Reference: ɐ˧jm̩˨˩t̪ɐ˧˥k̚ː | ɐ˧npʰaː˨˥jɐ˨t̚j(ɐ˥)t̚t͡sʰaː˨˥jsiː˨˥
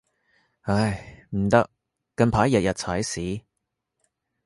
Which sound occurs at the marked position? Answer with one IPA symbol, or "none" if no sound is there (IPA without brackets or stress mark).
ɐ˨